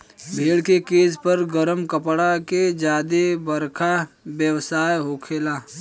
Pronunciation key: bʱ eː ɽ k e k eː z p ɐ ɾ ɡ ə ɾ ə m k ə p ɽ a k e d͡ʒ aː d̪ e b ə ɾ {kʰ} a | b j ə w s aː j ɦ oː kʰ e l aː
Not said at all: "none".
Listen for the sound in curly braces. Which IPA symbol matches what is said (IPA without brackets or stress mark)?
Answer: kʰ